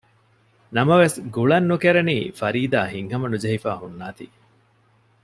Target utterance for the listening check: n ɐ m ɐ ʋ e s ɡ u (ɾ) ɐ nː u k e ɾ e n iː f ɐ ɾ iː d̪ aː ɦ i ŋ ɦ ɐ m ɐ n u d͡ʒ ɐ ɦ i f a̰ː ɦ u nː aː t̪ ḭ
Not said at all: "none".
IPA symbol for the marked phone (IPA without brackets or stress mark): ɭ